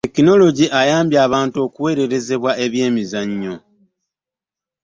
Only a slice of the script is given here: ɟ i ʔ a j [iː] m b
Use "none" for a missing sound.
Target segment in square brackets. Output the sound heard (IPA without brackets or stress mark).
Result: aː